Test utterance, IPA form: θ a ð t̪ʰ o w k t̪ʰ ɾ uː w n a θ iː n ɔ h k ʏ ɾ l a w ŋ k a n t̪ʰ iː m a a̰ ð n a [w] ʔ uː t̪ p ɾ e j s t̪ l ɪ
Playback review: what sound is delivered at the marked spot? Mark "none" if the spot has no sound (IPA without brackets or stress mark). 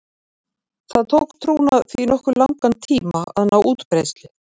w